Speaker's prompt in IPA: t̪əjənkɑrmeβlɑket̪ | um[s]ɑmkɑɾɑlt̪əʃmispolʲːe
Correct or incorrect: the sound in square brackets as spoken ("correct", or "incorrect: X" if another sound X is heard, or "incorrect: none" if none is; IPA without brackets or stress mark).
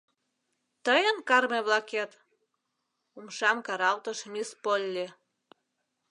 incorrect: ʃ